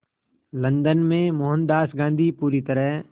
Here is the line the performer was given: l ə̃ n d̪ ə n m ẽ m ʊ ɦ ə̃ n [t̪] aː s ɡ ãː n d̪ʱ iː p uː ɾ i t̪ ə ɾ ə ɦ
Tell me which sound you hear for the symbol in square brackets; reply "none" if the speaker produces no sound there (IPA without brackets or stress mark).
d̪